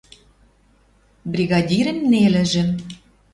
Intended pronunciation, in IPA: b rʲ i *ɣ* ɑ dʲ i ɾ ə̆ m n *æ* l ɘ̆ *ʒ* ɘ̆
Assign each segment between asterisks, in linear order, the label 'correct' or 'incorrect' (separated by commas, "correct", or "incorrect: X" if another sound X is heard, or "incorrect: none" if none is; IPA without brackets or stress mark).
correct, incorrect: e, correct